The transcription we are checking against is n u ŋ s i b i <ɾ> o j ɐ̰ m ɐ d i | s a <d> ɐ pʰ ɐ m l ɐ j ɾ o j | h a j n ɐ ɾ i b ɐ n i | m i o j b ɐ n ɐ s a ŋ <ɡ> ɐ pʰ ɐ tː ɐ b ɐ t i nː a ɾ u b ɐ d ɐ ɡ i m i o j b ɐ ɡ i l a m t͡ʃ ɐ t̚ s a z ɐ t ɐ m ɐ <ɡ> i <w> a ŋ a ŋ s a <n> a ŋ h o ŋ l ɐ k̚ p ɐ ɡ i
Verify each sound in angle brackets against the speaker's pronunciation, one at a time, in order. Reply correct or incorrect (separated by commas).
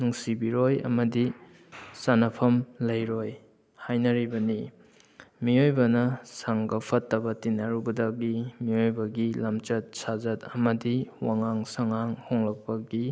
correct, incorrect, correct, incorrect, correct, incorrect